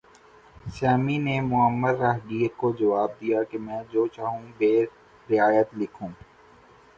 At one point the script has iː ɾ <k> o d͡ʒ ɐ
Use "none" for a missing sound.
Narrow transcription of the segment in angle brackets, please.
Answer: k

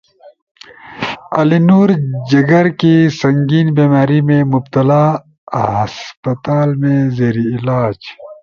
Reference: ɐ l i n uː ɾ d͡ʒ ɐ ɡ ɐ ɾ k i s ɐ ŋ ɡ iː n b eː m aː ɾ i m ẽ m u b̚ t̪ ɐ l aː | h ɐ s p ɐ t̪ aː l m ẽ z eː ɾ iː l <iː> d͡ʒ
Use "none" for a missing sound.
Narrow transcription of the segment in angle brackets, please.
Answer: aː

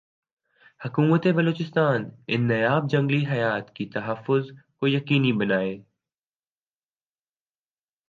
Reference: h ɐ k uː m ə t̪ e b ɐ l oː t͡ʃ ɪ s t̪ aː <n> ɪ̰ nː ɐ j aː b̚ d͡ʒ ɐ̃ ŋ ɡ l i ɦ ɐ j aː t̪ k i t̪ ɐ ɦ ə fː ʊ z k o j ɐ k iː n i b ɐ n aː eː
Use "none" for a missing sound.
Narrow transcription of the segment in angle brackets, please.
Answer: n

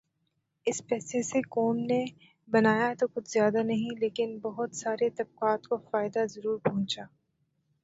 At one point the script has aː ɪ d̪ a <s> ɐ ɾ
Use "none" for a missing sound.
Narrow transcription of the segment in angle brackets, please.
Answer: z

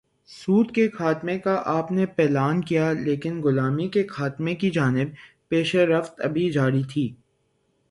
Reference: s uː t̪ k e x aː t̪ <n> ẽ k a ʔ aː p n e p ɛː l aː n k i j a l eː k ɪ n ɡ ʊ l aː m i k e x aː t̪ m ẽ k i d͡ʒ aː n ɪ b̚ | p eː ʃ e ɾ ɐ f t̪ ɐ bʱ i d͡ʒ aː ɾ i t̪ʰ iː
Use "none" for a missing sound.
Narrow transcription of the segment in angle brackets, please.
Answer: m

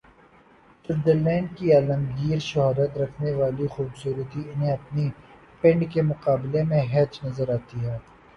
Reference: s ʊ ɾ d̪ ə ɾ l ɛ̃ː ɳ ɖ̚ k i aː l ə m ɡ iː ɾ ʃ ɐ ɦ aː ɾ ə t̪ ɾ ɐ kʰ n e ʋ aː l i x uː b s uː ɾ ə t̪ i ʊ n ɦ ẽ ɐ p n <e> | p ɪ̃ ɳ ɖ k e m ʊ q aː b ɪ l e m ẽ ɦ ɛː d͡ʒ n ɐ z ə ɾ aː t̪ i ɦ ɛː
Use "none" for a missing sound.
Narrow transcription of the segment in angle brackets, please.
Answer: i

